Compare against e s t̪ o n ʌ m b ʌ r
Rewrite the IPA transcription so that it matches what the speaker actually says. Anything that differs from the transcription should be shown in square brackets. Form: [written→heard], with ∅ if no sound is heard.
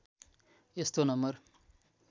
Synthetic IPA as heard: e s t̪ o n ʌ m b ʌ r

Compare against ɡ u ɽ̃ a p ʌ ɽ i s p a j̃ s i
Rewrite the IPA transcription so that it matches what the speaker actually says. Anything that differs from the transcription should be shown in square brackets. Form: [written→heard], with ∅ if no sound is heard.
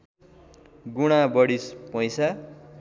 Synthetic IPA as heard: ɡ u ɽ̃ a [p→b] ʌ ɽ i s p [a→ʌ] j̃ s [i→a]

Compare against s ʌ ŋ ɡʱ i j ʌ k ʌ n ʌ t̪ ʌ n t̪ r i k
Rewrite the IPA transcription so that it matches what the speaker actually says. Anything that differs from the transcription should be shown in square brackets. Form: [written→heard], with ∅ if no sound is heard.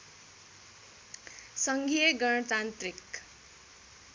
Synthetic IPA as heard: s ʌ ŋ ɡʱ i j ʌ [k→ɡ] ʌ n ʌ t̪ [ʌ→a] n t̪ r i k

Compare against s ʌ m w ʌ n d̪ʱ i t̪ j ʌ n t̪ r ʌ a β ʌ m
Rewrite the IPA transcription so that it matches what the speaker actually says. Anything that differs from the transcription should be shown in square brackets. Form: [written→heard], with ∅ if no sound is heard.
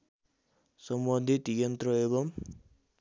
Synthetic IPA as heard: s ʌ m [w→b] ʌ n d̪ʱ i t̪ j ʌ n t̪ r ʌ [a→e] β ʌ m

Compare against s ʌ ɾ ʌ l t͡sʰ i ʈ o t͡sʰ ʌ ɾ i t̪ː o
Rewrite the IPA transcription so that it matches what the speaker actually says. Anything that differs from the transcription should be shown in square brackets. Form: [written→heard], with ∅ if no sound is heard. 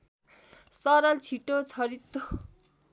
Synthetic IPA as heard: s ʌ ɾ ʌ l t͡sʰ i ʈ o t͡sʰ ʌ ɾ i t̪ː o

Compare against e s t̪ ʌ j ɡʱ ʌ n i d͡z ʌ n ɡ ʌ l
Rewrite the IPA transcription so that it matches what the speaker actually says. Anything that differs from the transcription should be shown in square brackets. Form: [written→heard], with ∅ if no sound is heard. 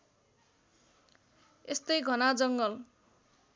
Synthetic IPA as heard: e s t̪ ʌ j ɡʱ ʌ n [i→a] d͡z ʌ [n→ŋ] ɡ ʌ l

